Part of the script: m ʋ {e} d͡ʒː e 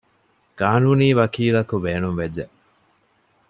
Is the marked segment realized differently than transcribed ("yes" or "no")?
no